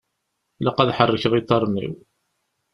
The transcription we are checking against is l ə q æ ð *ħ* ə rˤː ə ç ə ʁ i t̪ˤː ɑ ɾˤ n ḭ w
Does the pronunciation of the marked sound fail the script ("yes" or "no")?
no